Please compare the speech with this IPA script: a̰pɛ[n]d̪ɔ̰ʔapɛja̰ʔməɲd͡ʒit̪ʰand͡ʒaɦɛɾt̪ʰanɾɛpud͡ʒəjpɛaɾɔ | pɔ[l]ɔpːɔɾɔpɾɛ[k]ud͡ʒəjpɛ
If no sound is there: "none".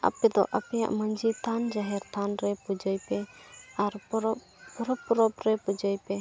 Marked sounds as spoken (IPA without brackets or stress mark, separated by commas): none, ɾ, p